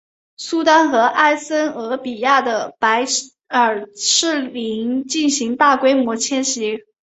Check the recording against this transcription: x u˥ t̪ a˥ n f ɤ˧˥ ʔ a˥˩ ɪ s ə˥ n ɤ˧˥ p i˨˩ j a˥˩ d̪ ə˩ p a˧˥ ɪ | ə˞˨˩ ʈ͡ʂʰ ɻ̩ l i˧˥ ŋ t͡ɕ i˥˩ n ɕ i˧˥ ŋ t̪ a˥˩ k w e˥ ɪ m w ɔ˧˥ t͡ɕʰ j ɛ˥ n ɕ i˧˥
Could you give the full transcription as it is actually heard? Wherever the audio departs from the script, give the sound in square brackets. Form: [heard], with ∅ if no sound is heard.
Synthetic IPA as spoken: [s] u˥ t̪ a˥ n [x] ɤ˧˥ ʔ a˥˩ ɪ s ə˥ n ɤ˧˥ p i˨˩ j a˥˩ d̪ ə˩ p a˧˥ ɪ | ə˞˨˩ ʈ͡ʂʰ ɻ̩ l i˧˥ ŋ t͡ɕ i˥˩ n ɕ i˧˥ ŋ t̪ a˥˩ k w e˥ ɪ m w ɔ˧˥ t͡ɕʰ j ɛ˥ n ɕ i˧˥